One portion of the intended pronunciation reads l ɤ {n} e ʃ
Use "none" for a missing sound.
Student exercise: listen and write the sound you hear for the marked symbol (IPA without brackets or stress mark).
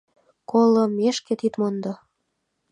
m